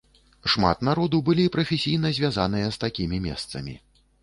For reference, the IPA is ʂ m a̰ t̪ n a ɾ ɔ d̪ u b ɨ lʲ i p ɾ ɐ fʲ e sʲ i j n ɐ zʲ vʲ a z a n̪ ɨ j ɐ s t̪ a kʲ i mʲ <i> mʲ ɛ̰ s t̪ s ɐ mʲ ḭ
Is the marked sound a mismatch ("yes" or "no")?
no